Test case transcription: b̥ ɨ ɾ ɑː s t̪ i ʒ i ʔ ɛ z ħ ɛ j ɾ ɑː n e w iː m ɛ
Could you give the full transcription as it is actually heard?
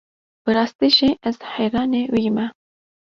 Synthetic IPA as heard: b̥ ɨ ɾ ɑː s t̪ i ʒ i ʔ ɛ z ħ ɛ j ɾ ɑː n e w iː m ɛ